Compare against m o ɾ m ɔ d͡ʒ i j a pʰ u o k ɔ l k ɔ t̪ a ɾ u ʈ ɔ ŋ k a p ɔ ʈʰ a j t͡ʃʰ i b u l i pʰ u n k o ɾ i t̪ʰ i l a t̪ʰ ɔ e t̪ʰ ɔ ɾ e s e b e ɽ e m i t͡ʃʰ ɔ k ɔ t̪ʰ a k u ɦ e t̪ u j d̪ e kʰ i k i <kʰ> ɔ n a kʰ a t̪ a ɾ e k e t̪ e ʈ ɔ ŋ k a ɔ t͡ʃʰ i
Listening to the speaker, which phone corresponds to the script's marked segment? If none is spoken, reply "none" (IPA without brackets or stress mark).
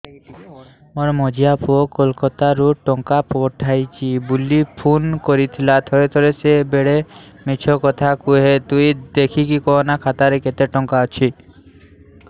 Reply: k